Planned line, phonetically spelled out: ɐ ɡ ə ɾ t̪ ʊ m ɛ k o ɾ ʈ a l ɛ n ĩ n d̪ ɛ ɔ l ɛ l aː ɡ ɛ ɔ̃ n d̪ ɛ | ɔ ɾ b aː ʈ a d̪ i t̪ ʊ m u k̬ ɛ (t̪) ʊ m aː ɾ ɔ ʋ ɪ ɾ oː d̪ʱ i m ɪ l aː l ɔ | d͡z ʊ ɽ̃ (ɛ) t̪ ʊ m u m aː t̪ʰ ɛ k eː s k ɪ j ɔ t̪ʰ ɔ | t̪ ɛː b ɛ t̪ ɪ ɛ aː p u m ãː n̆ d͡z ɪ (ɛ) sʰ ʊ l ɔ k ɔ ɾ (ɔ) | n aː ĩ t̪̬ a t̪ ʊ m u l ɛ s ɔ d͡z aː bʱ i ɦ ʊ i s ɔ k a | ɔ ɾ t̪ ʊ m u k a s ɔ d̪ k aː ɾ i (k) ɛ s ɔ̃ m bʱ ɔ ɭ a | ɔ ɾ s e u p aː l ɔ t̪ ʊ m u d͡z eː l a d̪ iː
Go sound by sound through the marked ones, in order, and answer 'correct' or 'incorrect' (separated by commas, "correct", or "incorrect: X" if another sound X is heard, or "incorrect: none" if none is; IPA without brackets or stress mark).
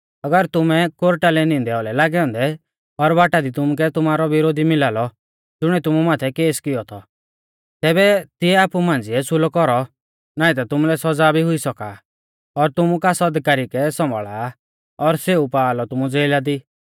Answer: correct, correct, correct, correct, correct